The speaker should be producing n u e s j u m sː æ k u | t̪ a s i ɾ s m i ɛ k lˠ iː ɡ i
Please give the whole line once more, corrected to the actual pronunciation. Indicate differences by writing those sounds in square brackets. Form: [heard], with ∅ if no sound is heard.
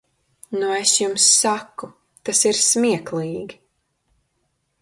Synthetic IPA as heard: n u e s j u m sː [a] k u | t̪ a s i ɾ s m i ɛ k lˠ iː ɡ i